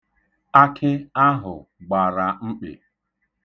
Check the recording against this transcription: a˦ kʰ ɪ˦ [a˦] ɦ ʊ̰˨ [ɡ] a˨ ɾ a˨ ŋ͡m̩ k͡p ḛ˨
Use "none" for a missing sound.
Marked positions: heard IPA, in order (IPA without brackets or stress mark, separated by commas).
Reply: a˦, ɡ͡b